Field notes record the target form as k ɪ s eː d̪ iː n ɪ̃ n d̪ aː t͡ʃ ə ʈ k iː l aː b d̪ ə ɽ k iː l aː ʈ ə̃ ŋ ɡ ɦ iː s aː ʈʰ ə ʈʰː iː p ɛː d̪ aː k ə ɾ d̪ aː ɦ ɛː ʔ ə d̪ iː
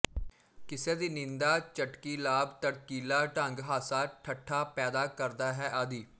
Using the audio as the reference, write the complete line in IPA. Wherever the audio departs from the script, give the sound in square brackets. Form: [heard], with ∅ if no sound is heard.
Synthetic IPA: k ɪ s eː d̪ iː n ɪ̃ n d̪ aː t͡ʃ ə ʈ k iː l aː b [t̪] ə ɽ k iː l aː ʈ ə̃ ŋ ɡ ɦ [aː] s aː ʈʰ ə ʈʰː [aː] p ɛː d̪ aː k ə ɾ d̪ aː ɦ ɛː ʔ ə d̪ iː